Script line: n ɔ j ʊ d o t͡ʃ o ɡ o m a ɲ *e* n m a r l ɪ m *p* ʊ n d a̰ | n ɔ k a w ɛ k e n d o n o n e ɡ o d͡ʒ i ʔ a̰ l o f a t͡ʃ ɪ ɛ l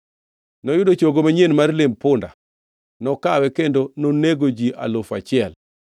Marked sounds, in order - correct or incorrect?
correct, correct

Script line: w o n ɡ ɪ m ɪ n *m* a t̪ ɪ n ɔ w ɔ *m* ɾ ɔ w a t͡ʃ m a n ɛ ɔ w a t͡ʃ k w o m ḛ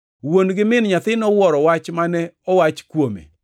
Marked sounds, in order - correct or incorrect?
incorrect: ɲ, incorrect: none

